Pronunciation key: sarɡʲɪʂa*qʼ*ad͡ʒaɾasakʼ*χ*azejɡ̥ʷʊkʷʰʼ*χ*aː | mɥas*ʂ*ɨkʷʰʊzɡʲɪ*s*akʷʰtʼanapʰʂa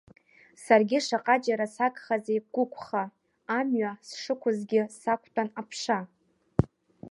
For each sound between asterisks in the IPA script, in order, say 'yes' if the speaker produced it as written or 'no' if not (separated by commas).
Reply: yes, yes, yes, yes, yes